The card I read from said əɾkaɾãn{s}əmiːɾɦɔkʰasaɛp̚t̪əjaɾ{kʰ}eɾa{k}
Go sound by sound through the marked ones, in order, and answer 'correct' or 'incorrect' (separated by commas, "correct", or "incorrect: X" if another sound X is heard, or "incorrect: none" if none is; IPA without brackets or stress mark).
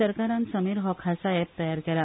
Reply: correct, incorrect: k, incorrect: none